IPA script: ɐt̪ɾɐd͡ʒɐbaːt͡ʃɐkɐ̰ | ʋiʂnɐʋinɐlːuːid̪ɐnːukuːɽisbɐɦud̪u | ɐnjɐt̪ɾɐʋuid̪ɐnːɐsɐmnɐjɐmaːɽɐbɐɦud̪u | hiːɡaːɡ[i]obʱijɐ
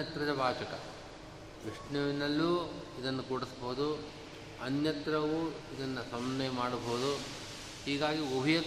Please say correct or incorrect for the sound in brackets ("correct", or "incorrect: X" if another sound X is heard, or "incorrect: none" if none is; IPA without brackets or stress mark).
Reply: correct